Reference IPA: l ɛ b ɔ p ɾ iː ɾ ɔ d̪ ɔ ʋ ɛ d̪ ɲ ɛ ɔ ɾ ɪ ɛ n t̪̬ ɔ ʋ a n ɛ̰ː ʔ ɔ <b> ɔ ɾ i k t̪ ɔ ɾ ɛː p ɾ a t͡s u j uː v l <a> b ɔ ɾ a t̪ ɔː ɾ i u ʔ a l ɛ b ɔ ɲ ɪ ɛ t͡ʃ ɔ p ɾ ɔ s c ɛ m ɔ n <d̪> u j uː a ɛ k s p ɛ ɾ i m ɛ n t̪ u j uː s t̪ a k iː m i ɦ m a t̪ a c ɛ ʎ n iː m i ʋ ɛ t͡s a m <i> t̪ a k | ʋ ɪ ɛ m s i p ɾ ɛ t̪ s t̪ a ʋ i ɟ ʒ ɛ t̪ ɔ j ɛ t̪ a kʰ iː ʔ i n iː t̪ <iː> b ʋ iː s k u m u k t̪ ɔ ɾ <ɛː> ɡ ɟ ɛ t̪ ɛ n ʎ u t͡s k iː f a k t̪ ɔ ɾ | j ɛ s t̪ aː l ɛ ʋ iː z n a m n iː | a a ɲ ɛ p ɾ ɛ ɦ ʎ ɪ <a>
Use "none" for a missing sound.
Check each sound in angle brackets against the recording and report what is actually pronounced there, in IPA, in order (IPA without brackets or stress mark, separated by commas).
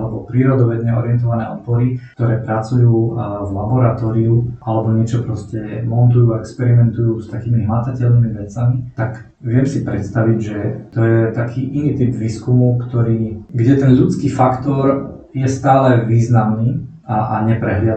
p, a, t̪, i, i, iː, a